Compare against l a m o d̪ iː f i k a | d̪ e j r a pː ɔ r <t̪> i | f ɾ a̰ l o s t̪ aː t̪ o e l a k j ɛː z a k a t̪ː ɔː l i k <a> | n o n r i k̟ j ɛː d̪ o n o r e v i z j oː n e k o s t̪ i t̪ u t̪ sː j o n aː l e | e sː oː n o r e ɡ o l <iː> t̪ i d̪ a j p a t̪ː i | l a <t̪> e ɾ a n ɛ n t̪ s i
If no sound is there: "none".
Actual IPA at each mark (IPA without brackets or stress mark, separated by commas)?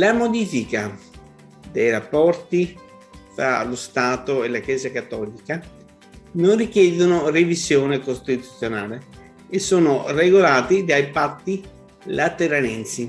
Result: t̪, a, aː, t̪